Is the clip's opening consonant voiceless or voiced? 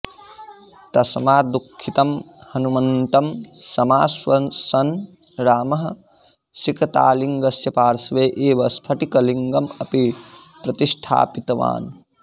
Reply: voiceless